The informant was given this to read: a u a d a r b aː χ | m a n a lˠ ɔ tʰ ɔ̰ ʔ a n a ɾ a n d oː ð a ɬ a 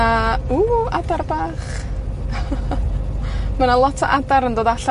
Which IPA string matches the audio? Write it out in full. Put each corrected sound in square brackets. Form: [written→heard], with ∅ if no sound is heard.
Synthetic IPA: a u a d a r b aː χ | m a n a lˠ ɔ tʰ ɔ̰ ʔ a [n→d] a ɾ [a→ə] n d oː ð a ɬ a